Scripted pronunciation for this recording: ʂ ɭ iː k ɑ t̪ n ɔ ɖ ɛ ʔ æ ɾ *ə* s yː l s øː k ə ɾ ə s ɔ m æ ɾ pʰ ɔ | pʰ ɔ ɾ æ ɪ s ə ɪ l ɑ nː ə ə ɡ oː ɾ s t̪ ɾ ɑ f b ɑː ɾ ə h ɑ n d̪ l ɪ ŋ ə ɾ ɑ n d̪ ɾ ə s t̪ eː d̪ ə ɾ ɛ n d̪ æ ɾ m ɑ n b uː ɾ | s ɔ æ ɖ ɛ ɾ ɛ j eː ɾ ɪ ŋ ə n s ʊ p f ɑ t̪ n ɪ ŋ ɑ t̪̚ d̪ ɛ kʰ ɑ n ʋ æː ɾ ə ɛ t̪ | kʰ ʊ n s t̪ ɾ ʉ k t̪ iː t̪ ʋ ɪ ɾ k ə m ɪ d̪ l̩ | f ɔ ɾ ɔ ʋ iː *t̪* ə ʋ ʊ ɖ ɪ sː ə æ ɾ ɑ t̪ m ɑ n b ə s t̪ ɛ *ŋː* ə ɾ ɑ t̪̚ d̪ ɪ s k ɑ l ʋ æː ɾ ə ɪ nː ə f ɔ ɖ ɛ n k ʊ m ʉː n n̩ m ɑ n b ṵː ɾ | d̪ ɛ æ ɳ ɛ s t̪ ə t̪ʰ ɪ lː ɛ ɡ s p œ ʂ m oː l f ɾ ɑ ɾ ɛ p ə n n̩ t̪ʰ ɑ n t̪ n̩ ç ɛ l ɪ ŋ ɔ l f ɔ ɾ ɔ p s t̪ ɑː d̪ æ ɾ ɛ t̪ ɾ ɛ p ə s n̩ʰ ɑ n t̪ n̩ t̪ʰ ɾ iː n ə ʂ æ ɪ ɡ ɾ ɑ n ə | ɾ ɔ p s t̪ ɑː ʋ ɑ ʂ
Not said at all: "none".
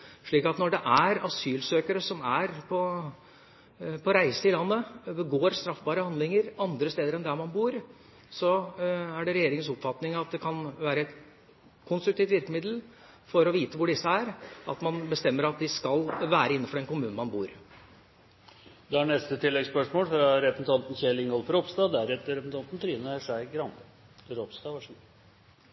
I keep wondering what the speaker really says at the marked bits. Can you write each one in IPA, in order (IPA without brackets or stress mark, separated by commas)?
ɑ, t̪, mː